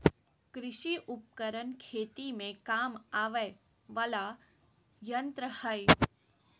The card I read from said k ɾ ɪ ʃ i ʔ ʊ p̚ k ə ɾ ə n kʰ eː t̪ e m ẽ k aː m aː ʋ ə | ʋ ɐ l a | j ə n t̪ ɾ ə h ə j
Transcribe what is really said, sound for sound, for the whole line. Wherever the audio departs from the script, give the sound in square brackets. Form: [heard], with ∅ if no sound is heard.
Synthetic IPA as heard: k ɾ ɪ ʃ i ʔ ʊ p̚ k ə ɾ ə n kʰ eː t̪ [i] m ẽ k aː m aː ʋ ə | ʋ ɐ l a | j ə n t̪ ɾ ə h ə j